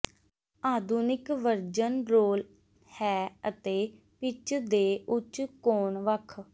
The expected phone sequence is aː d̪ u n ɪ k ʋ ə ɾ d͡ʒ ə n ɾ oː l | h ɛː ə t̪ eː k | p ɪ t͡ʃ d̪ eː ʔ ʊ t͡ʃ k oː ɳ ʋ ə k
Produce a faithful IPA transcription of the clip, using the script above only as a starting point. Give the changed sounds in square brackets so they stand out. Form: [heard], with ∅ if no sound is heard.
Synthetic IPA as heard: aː d̪ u n ɪ k ʋ ə ɾ d͡ʒ ə n ɾ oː l | h ɛː ə t̪ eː [∅] | p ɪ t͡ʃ d̪ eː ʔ ʊ t͡ʃ k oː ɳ ʋ ə [kʰ]